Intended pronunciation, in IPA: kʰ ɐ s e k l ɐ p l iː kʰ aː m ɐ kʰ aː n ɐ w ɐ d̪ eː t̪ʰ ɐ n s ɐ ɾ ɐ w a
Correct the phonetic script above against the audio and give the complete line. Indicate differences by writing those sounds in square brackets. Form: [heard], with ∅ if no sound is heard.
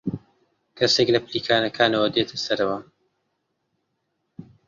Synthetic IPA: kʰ ɐ s e k l ɐ p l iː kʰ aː [n] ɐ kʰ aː n ɐ w ɐ d̪ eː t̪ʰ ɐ [∅] s ɐ ɾ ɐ w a